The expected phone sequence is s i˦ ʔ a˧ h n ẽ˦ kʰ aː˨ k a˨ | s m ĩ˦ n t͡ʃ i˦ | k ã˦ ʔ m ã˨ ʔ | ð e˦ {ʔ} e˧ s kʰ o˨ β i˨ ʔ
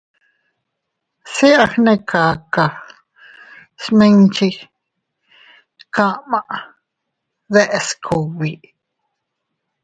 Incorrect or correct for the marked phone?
correct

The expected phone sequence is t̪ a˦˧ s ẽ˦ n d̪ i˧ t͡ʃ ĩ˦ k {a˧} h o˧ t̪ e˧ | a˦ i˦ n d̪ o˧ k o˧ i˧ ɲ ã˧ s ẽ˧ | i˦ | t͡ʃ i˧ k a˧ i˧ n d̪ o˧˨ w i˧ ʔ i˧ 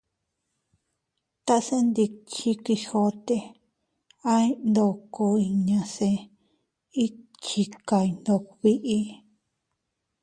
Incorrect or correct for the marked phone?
incorrect: i˧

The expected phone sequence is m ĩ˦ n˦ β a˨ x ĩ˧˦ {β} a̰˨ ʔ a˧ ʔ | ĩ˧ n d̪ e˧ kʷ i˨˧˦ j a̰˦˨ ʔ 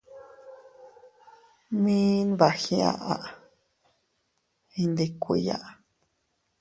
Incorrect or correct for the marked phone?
incorrect: none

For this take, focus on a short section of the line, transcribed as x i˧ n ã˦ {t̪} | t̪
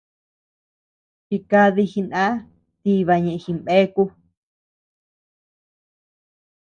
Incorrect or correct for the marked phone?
incorrect: none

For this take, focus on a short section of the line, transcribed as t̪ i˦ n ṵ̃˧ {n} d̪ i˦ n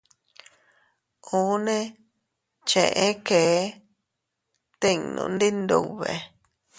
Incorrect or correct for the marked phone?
correct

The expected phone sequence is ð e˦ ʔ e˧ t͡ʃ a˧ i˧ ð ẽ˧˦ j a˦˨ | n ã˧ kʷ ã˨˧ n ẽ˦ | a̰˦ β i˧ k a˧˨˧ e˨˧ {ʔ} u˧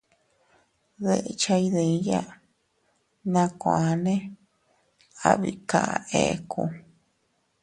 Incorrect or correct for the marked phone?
incorrect: k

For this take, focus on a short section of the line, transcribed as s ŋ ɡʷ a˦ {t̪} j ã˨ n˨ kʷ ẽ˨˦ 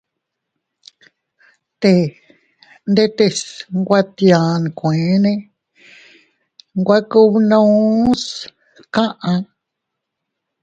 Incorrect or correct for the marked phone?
correct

